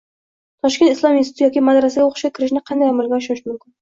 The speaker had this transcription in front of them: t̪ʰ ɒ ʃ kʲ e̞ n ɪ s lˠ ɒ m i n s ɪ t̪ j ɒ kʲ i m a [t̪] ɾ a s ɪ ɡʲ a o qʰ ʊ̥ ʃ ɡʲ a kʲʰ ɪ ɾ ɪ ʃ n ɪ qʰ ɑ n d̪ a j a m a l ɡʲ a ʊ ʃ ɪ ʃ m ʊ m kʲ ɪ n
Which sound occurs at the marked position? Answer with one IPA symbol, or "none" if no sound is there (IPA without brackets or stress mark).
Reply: d̪